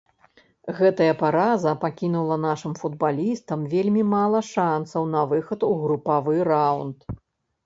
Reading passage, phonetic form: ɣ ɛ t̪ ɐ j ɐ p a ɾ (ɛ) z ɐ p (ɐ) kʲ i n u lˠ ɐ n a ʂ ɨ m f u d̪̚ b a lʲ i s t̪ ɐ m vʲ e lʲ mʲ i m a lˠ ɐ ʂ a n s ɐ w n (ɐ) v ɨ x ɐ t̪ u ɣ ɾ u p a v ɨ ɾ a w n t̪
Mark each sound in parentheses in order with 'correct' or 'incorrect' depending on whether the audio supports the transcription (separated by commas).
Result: incorrect, incorrect, correct